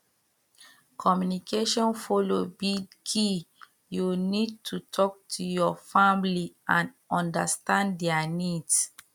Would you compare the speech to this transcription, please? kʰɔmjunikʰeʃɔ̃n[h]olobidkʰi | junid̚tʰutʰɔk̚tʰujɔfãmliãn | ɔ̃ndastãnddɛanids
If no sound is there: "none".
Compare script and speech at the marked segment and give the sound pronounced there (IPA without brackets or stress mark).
f